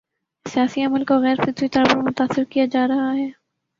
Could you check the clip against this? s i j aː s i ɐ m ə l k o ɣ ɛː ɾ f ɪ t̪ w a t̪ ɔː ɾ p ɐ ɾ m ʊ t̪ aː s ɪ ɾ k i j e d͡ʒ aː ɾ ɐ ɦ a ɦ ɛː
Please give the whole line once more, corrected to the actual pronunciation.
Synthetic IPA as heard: s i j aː s i ɐ m ə l k o ɣ ɛː ɾ f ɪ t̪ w i t̪ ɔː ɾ p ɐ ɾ m ʊ t̪ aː s ɪ ɾ k i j a d͡ʒ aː ɾ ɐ ɦ a ɦ ɛː